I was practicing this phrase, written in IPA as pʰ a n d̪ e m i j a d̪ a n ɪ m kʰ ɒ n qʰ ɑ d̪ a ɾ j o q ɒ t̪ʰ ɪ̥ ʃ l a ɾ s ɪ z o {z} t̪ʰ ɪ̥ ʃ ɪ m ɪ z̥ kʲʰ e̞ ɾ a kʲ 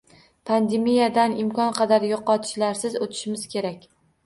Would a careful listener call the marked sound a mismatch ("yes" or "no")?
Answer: yes